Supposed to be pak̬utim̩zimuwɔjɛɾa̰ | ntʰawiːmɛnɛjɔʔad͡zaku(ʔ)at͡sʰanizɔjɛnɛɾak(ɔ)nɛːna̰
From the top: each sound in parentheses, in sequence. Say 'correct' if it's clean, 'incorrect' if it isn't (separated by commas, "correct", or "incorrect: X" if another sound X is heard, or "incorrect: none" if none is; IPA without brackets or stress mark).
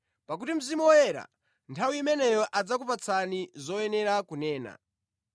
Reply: incorrect: p, incorrect: u